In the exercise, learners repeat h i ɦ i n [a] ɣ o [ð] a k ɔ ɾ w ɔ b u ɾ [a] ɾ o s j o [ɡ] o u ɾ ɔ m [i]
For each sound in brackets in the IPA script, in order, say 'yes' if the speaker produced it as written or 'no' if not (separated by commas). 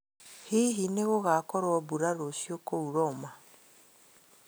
no, no, yes, no, no